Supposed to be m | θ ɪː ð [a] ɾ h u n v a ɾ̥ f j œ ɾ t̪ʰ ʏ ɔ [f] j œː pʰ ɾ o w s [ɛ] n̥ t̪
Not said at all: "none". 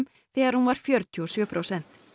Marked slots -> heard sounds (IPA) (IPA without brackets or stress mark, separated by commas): a, s, ɛ